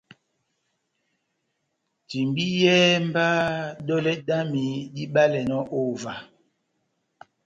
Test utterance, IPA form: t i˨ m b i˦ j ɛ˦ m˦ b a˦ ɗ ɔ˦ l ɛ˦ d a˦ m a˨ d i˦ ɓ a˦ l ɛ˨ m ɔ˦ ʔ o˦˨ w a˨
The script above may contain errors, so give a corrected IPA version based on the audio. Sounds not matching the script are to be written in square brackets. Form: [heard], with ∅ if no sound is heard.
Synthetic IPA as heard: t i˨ m b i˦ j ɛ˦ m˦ b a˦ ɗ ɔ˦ l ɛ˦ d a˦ m [i˨] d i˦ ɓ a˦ l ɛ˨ [n] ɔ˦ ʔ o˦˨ [v] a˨